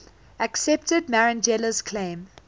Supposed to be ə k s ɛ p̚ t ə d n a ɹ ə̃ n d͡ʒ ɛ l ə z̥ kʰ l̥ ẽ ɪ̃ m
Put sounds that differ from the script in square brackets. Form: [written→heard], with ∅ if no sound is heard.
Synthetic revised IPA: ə k s ɛ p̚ t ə d [n→m] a ɹ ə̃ n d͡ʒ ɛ l ə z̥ kʰ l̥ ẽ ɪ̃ m